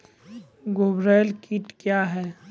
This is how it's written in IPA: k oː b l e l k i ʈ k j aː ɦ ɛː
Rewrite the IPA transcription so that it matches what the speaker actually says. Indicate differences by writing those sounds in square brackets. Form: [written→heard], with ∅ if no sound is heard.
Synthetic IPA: [k→ɡ] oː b [l→ɾ] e l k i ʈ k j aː ɦ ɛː